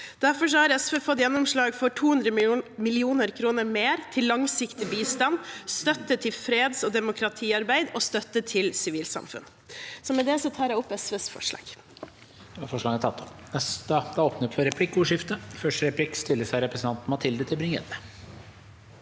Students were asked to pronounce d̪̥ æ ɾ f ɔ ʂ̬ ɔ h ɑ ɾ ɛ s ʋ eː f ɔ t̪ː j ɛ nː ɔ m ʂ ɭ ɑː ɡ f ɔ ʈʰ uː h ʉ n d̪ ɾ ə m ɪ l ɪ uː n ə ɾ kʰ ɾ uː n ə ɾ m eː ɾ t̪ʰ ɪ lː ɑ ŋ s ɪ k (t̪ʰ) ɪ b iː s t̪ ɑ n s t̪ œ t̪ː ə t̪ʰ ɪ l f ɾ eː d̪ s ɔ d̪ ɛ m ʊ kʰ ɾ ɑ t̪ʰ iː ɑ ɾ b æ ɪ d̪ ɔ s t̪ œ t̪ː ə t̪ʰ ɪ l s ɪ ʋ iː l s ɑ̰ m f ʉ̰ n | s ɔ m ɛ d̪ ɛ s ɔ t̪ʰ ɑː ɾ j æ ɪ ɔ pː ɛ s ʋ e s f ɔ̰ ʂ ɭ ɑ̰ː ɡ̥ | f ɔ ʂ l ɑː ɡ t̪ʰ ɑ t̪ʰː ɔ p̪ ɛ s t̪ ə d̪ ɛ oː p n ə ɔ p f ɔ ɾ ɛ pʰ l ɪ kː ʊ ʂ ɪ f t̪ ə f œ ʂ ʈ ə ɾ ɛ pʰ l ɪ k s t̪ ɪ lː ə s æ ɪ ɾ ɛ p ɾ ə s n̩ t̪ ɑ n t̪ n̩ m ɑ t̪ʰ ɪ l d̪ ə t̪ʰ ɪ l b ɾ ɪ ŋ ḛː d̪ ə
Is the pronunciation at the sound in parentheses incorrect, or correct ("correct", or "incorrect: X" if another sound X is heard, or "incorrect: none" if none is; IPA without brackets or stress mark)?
incorrect: t̪